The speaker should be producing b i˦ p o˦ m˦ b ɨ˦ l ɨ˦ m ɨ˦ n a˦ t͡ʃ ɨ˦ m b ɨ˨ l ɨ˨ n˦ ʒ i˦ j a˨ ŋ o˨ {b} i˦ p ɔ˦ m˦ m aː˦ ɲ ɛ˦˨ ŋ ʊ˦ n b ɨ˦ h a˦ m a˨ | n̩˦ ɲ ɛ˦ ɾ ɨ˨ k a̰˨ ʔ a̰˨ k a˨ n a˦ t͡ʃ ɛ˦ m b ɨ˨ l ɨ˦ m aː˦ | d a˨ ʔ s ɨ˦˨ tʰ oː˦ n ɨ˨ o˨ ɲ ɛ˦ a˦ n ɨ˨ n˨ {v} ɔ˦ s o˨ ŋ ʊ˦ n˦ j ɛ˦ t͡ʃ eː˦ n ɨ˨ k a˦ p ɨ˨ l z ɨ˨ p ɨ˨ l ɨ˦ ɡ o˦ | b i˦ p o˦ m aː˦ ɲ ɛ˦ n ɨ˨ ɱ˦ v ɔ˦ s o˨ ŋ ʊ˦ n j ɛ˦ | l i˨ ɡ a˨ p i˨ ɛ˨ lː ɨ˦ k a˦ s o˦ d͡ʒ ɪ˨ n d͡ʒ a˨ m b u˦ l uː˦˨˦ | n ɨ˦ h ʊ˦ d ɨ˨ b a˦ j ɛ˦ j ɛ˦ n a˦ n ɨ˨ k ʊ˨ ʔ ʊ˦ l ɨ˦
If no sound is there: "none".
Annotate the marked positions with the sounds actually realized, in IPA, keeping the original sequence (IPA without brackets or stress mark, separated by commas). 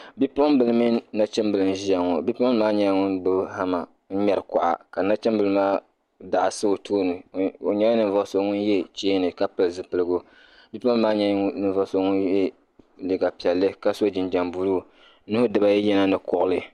b, v